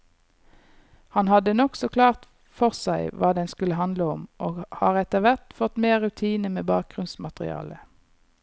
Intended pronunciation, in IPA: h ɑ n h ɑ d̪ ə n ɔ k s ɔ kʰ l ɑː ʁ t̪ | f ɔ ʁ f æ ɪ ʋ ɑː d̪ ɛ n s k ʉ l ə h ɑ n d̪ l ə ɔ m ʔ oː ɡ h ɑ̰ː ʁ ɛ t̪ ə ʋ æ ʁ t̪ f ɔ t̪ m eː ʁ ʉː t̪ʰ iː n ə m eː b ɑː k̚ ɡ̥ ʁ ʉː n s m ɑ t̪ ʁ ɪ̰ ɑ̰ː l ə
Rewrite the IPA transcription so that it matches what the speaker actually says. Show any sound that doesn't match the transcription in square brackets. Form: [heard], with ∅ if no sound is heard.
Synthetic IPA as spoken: h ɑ n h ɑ d̪ ə n ɔ k s ɔ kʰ l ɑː ʁ t̪ | f ɔ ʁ [s] æ ɪ ʋ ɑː d̪ ɛ n s k ʉ l ə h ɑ n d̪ l ə ɔ m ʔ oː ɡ h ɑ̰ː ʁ ɛ t̪ ə ʋ æ ʁ t̪ f ɔ t̪ m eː ʁ [ʉ] t̪ʰ iː n ə m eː b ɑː k̚ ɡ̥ ʁ [ʉ] n s m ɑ t̪ ʁ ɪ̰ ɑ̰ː l ə